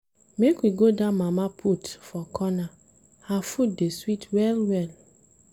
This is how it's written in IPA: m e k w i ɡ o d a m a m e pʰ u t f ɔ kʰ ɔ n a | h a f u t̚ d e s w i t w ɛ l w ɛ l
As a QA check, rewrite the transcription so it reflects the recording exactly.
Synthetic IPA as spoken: m e k w i ɡ o d a m a m a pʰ u t f ɔ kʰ ɔ n a | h a f u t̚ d e s w i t w ɛ l w ɛ l

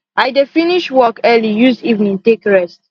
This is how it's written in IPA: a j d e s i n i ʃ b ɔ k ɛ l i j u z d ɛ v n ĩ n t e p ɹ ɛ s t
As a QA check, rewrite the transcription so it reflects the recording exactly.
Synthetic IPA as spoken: a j d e f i n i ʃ w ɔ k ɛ l i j u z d i v n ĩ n t e k ɹ ɛ s t

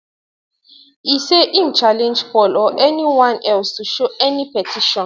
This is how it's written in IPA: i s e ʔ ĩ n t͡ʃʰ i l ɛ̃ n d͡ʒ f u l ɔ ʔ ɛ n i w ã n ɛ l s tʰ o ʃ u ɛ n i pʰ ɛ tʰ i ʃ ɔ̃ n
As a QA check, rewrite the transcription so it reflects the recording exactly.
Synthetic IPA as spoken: i s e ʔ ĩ n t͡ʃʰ a l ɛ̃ n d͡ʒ f ɔ l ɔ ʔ ɛ n i w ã n ɛ l s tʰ u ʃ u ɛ n i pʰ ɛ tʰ i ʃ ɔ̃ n

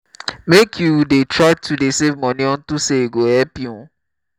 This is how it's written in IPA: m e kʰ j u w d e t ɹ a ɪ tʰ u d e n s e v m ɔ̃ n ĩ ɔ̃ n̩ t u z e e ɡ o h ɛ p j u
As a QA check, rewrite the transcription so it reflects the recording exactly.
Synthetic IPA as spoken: m e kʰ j u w d e t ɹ a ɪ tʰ u d e s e v m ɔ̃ n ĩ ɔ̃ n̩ t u s e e ɡ o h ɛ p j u

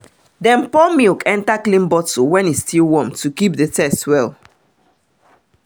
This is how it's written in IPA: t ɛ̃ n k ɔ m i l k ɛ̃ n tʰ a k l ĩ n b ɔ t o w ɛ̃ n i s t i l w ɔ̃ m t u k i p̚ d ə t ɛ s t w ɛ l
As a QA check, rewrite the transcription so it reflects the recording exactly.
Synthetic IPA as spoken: d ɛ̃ n p ɔ m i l k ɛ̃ n t a k l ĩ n b ɔ t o w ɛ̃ n i s t i l w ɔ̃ m t u k i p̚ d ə t ɛ s t w ɛ l

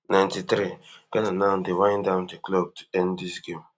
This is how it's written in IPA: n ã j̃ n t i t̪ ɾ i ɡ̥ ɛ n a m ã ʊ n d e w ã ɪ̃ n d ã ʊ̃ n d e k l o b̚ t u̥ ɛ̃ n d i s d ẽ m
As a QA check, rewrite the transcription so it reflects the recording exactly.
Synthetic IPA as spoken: n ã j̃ n t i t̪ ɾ i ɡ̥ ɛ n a n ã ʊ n d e w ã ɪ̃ n d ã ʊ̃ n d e k l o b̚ t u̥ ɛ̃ n d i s ɡ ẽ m

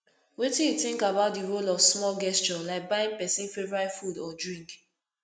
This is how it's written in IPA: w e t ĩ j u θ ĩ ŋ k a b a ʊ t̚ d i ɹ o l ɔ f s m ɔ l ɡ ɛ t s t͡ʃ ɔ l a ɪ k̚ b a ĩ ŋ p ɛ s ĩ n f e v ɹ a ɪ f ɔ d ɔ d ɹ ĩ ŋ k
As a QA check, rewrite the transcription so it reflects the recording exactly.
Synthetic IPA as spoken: w e t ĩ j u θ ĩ ŋ k a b a ʊ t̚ d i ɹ o l ɔ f s m ɔ l ɡ ɛ s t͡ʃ ɔ l a ɪ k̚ b a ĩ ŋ p ɛ s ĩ n f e v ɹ a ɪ f u d ɔ d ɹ ĩ ŋ k

